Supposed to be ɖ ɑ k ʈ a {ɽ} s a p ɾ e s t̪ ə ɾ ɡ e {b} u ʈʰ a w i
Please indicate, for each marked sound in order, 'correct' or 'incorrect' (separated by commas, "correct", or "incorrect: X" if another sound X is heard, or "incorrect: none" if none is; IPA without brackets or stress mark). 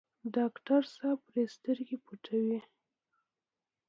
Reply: incorrect: ɾ, incorrect: p